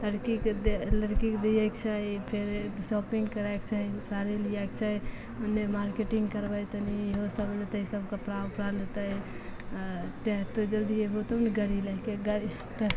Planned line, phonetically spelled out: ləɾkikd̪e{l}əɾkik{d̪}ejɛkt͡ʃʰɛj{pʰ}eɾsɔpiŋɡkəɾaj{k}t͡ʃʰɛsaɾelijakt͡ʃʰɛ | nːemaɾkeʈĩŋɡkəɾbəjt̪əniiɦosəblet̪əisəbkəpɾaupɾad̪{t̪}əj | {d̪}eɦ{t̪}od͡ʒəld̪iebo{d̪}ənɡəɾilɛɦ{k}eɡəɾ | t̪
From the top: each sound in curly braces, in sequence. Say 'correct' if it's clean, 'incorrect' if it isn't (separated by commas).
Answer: correct, correct, correct, correct, correct, incorrect, correct, incorrect, correct